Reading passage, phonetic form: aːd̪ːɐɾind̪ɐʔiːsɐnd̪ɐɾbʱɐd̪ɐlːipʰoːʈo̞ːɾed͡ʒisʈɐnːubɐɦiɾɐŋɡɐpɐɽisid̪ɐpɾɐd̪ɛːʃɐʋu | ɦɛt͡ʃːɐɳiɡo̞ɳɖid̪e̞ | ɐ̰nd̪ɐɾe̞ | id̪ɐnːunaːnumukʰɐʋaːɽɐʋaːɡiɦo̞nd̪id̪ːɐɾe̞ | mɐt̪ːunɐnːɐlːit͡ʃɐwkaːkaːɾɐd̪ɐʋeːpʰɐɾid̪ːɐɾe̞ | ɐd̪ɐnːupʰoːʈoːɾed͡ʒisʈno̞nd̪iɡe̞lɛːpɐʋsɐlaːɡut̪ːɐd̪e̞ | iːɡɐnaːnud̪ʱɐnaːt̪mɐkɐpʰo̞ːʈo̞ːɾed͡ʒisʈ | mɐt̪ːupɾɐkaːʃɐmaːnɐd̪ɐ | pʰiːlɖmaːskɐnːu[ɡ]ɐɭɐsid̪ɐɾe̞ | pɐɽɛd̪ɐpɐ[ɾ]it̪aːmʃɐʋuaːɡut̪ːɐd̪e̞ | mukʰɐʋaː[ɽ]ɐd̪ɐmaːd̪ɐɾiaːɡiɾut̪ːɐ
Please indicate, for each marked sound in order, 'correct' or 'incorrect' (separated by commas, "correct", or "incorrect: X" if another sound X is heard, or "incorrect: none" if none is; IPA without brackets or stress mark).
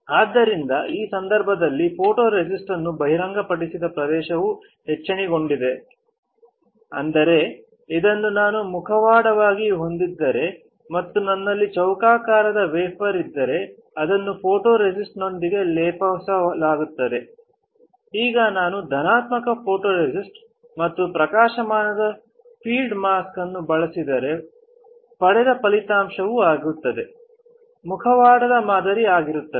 incorrect: b, incorrect: l, correct